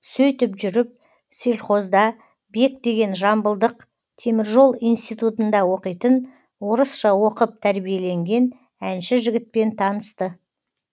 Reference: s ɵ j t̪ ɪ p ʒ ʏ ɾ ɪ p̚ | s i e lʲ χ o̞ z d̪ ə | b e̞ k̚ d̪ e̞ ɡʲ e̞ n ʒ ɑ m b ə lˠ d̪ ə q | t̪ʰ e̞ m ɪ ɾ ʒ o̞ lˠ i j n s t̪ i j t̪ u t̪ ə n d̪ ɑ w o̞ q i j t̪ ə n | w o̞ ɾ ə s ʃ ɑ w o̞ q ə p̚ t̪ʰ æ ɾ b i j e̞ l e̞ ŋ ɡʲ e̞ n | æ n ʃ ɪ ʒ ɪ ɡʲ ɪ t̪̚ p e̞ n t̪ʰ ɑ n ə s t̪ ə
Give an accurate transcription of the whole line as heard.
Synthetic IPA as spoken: s ɵ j t̪ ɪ p ʒ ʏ ɾ ɪ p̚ | s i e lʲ χ o̞ z d̪ ɑ | b e̞ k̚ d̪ e̞ ɡʲ e̞ n ʒ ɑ m b ə lˠ d̪ ə q | t̪ʰ e̞ m ɪ ɾ ʒ o̞ lˠ i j n s t̪ i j t̪ u t̪ ə n d̪ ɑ w o̞ q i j t̪ ə n | w o̞ ɾ ə s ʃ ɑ w o̞ q ə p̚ t̪ʰ æ ɾ b i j e̞ l e̞ ŋ ɡʲ e̞ n | æ n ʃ ɪ ʒ ɪ ɡʲ ɪ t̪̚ p e̞ n t̪ʰ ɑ n ə s t̪ ə